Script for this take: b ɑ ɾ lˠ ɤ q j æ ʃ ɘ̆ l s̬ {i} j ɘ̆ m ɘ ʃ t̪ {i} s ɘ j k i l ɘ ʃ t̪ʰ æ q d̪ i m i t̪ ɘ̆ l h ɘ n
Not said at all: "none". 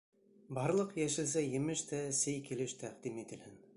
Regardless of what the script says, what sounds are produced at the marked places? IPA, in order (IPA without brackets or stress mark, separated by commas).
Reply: æ, æ